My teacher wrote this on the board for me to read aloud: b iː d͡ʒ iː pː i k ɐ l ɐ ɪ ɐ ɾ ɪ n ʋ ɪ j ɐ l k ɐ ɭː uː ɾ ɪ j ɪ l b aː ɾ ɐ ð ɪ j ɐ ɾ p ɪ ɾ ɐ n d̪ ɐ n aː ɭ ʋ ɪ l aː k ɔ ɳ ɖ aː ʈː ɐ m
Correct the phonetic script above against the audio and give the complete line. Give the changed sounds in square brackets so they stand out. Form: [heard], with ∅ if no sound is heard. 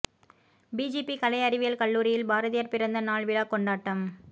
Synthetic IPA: b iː d͡ʒ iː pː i k ɐ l ɐ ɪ ɐ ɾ ɪ [∅] ʋ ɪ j ɐ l k ɐ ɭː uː ɾ ɪ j ɪ l b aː ɾ ɐ ð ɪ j ɐ ɾ p ɪ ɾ ɐ n d̪ ɐ n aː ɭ ʋ ɪ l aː k ɔ ɳ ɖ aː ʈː ɐ m